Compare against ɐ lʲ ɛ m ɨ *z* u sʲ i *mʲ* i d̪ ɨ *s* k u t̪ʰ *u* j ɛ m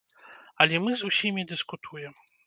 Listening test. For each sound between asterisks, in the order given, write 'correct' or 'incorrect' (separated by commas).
correct, correct, correct, correct